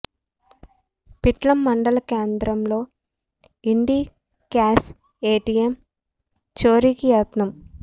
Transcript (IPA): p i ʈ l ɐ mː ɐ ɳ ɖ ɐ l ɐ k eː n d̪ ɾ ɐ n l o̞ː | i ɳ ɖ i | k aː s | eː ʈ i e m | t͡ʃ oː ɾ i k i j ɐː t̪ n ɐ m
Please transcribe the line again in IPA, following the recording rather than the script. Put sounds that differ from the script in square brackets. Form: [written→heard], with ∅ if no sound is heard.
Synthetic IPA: p i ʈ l ɐ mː ɐ ɳ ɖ ɐ l ɐ k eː n d̪ ɾ ɐ [n→m] l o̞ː | i ɳ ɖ i | k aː s | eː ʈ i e m | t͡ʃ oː ɾ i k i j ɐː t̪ n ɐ m

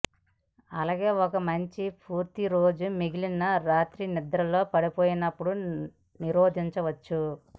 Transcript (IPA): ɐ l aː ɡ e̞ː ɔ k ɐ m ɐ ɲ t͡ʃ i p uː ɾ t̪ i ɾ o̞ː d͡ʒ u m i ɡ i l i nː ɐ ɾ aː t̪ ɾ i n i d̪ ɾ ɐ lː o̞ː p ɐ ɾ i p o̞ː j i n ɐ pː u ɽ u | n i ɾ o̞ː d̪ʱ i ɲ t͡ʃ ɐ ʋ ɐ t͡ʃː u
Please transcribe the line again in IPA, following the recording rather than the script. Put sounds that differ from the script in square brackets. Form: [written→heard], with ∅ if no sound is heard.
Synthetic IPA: ɐ l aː ɡ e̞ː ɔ k ɐ m ɐ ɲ t͡ʃ i p uː ɾ t̪ i ɾ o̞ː d͡ʒ u m i ɡ i l i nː ɐ ɾ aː t̪ ɾ i n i d̪ ɾ ɐ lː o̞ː p ɐ [ɾ→ɽ] i p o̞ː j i n ɐ pː u ɽ u | n i ɾ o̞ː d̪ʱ i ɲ t͡ʃ ɐ ʋ ɐ t͡ʃː u

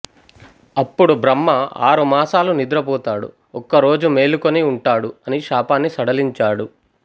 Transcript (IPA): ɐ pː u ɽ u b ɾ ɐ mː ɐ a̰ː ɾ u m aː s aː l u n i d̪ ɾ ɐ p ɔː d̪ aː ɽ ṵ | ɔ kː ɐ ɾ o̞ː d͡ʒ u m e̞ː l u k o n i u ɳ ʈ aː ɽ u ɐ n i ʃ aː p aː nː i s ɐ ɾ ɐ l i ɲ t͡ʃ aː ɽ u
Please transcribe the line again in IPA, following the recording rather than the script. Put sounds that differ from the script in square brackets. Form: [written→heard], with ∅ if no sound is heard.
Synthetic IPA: ɐ pː u ɽ u b ɾ ɐ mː ɐ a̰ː ɾ u m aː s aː l u n i d̪ ɾ ɐ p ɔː [d̪→t̪] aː ɽ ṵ | ɔ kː ɐ ɾ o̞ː d͡ʒ u m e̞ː l u k o n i u ɳ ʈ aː ɽ u ɐ n i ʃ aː p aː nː i s ɐ [ɾ→ɽ] ɐ l i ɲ t͡ʃ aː ɽ u

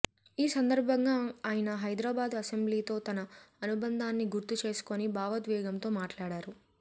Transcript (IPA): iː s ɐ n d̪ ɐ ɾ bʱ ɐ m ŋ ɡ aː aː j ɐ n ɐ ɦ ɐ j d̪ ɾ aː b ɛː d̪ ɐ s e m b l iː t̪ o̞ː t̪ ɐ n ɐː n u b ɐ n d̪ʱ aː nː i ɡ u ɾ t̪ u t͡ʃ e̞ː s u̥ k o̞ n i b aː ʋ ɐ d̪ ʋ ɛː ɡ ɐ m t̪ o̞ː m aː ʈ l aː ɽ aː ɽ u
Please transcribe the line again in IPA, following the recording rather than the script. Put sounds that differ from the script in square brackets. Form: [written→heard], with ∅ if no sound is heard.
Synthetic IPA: iː s ɐ n d̪ ɐ ɾ bʱ ɐ [m→∅] ŋ ɡ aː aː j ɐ n ɐ ɦ ɐ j d̪ ɾ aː b [ɛː→aː] d̪ ɐ s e m b l iː t̪ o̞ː t̪ ɐ n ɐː n u b ɐ n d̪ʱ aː nː i ɡ u ɾ t̪ u t͡ʃ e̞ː s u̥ k o̞ n i b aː ʋ ɐ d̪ ʋ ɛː ɡ ɐ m t̪ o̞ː m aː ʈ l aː ɽ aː [ɽ→ɾ] u

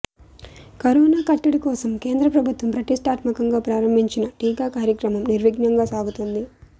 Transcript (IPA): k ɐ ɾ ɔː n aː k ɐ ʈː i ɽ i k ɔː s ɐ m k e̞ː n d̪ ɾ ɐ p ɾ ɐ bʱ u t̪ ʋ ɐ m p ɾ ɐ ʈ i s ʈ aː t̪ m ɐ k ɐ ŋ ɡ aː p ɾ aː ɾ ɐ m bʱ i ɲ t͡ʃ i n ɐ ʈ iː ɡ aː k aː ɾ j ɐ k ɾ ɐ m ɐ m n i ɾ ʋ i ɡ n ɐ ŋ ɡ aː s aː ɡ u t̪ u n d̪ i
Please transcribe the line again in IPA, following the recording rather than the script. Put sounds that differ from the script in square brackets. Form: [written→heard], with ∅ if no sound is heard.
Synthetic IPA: k ɐ ɾ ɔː n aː k ɐ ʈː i ɽ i k ɔː s ɐ m k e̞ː n d̪ ɾ ɐ p ɾ ɐ bʱ u t̪ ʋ ɐ m p ɾ ɐ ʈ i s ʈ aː t̪ m ɐ k ɐ ŋ ɡ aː p ɾ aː ɾ ɐ m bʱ i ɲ t͡ʃ i n ɐ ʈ iː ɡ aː k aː ɾ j ɐ k ɾ ɐ m ɐ m n i ɾ ʋ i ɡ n ɐ ŋ ɡ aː s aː ɡ u t̪ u n d̪ i

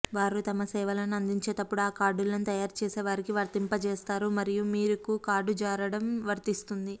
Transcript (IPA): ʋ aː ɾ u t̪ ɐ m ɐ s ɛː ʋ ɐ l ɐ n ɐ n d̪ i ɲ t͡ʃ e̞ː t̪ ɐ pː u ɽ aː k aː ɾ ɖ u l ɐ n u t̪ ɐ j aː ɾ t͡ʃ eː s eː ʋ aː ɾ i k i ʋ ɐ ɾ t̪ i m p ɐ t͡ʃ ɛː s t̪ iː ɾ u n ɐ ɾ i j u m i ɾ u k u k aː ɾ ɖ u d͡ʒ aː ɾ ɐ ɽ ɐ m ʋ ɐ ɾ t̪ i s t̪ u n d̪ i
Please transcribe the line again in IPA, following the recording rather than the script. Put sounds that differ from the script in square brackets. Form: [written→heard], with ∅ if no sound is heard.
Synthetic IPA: ʋ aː ɾ u t̪ ɐ m ɐ s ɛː ʋ ɐ l ɐ n ɐ n d̪ i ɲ t͡ʃ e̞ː t̪ ɐ pː u ɽ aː k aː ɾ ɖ u l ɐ n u t̪ ɐ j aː ɾ t͡ʃ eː s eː ʋ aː ɾ i k i ʋ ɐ ɾ t̪ i m p ɐ t͡ʃ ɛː s t̪ [iː→aː] ɾ u [n→m] ɐ ɾ i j u m [i→iː] ɾ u k u k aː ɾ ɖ u d͡ʒ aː ɾ ɐ ɽ ɐ m ʋ ɐ ɾ t̪ i s t̪ u n d̪ i

